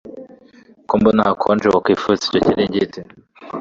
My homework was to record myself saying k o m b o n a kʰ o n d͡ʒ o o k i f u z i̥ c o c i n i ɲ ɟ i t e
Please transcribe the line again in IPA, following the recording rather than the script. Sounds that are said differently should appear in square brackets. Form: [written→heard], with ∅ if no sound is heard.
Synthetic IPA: k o m b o n a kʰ o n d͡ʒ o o k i f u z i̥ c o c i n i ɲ ɟ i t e

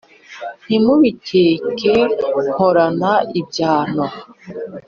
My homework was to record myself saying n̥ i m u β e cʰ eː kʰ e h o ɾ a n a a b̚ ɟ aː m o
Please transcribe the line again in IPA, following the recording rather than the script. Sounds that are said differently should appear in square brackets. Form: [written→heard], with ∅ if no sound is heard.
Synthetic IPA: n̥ i m u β [e→i] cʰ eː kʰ e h o ɾ a n a [a→i] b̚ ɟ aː [m→n] o

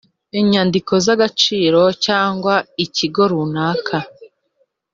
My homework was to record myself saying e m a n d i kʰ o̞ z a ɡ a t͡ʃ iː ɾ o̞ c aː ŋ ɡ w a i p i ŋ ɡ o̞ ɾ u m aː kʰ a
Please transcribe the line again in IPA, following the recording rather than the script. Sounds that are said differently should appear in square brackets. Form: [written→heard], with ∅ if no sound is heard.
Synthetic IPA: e [m→ɲ] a n d i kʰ o̞ z a ɡ a t͡ʃ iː ɾ o̞ c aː ŋ ɡ w a i [p→c] i [ŋ→∅] ɡ o̞ ɾ u [m→n] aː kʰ a

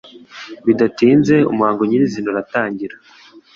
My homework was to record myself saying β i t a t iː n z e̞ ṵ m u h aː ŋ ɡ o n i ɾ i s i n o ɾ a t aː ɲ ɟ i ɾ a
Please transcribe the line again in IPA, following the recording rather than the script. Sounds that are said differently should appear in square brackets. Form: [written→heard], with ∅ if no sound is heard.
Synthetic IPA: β i [t→d] a t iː n z e̞ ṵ m u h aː ŋ ɡ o [n→ɲ] i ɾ i [s→z] i n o ɾ a t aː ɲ ɟ i ɾ a

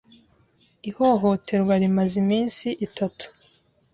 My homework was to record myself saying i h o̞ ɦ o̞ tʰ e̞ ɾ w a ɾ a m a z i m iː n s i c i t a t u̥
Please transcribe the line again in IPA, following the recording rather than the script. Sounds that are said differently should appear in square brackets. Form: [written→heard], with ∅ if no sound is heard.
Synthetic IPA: i h o̞ ɦ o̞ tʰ e̞ ɾ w a ɾ [a→i] m a z i m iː n s i [c→ʔ] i t a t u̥

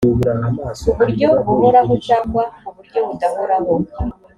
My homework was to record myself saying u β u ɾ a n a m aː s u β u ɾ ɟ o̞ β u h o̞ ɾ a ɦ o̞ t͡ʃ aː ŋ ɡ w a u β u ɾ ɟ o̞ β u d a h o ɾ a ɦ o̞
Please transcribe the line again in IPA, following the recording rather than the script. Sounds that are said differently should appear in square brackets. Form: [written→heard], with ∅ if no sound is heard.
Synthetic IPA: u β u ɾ a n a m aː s u β u ɾ ɟ o̞ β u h o̞ ɾ a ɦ o̞ t͡ʃ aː ŋ ɡ w a u β u ɾ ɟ o̞ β u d a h o ɾ a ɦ o̞

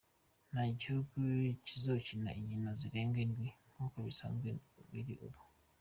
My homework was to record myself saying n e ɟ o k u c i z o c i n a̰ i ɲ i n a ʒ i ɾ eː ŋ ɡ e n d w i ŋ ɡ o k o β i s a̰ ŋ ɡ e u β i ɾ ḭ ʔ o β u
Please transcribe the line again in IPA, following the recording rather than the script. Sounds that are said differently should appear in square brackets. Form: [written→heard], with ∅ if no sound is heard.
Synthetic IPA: n [e→a] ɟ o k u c i z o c i n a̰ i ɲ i n a [ʒ→z] i ɾ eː ŋ ɡ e n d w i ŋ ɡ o k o β i s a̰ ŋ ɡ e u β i ɾ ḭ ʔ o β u

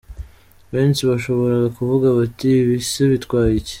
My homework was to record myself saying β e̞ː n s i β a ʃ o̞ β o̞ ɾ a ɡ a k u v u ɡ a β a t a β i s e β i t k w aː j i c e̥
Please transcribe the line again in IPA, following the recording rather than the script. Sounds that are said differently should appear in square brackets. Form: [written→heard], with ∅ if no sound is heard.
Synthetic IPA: β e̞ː n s i β a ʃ o̞ β o̞ ɾ a ɡ a k u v u ɡ a β a t [a→i] β i s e β i t k w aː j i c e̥

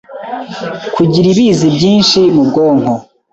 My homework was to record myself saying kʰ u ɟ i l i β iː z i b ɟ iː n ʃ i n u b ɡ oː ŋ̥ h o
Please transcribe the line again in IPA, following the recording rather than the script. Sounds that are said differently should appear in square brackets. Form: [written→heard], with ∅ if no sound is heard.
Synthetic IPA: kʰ u ɟ i [l→ɾ] i β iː z i b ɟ iː n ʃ i [n→m] u b ɡ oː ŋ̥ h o

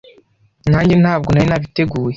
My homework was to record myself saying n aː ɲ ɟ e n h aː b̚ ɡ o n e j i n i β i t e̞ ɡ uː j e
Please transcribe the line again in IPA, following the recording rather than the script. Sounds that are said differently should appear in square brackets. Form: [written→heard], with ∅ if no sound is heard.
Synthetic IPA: n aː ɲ ɟ e n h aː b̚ ɡ o n [e→a] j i n [i→a] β i t e̞ ɡ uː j e

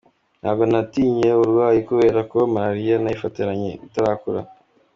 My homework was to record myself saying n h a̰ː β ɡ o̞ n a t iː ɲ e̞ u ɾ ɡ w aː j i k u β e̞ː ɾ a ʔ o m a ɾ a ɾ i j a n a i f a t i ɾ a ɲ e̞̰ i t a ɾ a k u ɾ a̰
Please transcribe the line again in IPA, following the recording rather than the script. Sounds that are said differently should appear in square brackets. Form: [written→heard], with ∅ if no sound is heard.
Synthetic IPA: n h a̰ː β ɡ o̞ n a t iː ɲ e̞ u ɾ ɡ w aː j i k u β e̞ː ɾ a [ʔ→k] o m a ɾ a ɾ i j a n a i f a t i ɾ a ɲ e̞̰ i t a ɾ a k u ɾ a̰

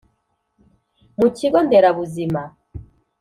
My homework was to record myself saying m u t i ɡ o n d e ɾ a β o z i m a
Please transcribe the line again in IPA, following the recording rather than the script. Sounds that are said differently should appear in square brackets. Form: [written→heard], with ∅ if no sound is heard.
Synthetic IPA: m u [t→c] i ɡ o n d e ɾ a β [o→u] z i m a

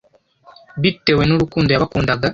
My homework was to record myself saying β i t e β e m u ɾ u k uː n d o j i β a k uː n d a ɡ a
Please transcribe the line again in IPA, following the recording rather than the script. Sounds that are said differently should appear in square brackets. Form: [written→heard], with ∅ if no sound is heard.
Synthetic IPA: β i t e [β→w] e [m→n] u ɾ u k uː n d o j [i→a] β a k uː n d a ɡ a

